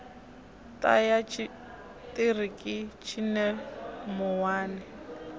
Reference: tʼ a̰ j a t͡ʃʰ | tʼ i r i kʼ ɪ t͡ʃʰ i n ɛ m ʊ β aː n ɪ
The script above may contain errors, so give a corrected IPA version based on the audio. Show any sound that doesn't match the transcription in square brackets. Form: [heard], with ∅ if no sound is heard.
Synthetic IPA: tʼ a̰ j a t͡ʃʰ | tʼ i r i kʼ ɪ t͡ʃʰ i n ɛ m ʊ [w] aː n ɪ